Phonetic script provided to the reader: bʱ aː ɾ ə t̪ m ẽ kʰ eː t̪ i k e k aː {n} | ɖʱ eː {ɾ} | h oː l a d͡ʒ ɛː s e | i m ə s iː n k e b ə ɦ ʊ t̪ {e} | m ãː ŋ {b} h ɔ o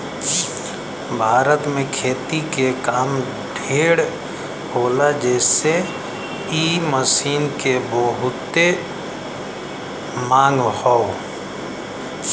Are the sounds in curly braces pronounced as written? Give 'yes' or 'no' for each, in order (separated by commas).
no, no, yes, no